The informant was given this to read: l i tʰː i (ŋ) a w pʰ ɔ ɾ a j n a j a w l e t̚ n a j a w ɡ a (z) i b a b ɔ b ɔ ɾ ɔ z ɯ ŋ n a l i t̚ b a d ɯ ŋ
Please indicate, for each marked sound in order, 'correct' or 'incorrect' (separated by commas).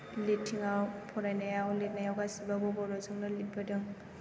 correct, incorrect